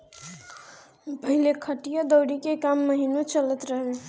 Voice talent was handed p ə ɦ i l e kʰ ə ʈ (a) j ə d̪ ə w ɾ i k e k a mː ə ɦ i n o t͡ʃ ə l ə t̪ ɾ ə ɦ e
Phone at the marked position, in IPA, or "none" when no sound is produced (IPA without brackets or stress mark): i